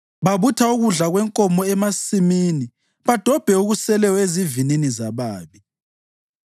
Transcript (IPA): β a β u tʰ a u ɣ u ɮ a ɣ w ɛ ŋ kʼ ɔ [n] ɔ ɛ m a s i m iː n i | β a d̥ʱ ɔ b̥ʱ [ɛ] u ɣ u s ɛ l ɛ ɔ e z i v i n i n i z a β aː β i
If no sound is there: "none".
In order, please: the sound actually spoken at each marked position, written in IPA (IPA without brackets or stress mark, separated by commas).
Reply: m, ɛ